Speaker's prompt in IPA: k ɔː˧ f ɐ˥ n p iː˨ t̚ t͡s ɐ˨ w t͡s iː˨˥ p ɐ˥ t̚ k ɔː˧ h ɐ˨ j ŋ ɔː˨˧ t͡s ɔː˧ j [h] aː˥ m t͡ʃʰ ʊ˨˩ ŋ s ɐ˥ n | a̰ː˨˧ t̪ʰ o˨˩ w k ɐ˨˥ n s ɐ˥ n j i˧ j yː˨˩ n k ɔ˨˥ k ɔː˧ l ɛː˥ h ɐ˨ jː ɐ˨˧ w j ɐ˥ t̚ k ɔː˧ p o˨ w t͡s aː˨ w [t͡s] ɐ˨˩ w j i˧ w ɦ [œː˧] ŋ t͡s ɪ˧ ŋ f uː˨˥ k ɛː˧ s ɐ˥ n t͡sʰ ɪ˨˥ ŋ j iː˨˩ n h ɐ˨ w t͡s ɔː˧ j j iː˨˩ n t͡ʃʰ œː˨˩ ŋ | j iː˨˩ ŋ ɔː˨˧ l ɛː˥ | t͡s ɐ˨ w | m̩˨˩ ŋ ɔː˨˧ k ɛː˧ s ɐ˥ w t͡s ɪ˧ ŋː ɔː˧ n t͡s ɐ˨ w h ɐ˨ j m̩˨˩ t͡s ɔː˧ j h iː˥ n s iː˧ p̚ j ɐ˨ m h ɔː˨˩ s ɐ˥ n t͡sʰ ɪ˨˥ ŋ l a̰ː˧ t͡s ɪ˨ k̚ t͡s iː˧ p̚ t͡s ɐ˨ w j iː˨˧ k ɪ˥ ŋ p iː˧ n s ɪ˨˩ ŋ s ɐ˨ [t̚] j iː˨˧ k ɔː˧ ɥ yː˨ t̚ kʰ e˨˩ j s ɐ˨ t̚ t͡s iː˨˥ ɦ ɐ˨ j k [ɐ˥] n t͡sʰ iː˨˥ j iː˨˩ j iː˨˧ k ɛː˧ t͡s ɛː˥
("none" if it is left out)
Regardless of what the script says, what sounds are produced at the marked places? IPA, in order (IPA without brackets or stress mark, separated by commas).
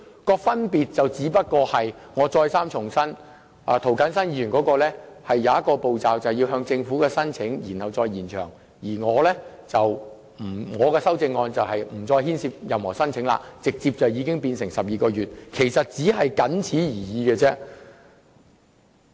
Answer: s, t͡s, œː˧, p̚, ɐ˨˥